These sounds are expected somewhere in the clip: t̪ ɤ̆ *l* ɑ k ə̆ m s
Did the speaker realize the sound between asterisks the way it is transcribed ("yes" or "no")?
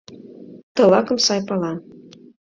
yes